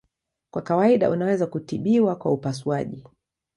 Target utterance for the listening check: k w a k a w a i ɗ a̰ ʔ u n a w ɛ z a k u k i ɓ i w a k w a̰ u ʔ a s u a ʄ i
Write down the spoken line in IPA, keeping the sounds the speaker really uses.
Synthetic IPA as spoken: k w a k a w a i ɗ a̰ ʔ u n a w ɛ z a k u t i ɓ i w a k w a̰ u p a s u a ʄ i